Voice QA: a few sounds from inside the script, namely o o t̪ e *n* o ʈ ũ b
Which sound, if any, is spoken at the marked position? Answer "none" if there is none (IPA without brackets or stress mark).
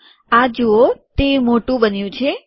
m